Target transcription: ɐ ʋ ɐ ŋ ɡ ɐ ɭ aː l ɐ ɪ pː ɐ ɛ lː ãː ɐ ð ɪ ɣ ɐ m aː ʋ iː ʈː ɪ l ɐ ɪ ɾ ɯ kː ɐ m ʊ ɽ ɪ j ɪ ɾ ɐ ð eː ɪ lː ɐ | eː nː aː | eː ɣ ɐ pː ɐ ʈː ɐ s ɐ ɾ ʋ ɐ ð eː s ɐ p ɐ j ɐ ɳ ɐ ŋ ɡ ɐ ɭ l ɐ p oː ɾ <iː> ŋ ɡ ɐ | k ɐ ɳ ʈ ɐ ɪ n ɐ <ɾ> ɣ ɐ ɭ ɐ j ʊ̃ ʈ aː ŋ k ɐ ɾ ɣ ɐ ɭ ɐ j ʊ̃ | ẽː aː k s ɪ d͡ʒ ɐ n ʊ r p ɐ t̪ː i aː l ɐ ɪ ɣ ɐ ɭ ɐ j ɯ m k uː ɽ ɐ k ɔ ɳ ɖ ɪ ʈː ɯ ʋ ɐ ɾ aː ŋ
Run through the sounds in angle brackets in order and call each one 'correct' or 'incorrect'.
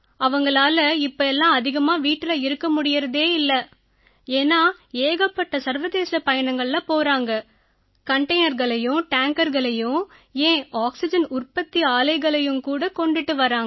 incorrect, correct

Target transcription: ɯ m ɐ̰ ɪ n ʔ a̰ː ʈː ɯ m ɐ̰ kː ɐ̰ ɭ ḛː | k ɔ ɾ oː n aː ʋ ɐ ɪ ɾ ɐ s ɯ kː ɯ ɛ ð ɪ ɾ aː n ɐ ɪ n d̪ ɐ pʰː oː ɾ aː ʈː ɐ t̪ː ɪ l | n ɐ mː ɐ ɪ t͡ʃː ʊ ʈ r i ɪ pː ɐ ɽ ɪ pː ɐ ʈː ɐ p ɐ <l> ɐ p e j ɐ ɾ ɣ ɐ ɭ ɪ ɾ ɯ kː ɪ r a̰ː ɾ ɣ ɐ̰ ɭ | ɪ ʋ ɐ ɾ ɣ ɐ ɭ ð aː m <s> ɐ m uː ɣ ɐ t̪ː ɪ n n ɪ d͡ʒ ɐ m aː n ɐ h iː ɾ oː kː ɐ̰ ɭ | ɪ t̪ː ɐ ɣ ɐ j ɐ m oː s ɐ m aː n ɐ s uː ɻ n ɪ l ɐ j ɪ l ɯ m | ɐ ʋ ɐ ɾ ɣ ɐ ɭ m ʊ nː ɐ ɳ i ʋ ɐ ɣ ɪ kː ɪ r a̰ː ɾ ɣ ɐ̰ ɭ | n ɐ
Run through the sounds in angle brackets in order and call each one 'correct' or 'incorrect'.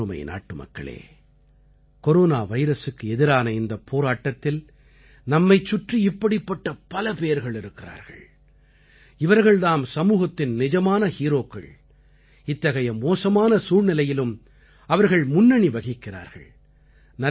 correct, correct

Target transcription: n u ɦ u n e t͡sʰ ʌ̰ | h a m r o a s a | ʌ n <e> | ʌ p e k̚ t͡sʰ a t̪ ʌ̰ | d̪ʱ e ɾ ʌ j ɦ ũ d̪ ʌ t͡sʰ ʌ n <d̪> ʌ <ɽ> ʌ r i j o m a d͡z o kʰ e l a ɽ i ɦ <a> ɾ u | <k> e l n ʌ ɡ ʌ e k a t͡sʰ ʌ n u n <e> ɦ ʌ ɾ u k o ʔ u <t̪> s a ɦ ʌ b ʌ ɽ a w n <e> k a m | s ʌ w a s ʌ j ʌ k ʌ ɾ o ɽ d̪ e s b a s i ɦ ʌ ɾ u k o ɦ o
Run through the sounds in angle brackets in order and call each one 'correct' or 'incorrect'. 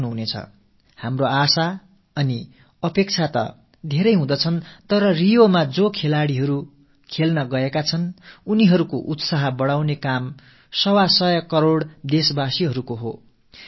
incorrect, incorrect, incorrect, incorrect, incorrect, incorrect, correct, correct

